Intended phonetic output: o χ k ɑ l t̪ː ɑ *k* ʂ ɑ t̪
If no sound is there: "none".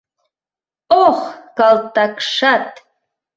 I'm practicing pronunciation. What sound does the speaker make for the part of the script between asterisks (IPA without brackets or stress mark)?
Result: k